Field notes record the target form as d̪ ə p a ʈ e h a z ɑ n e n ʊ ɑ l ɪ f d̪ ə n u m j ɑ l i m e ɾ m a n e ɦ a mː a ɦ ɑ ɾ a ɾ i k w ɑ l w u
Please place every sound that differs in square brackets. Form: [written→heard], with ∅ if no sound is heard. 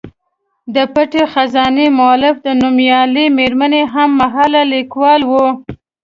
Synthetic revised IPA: d̪ ə p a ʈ e [h→x] a z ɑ n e [n→m] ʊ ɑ l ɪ f d̪ ə n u m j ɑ l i m e ɾ m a n e ɦ a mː a ɦ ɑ [ɾ→l] a [ɾ→l] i k w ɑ l w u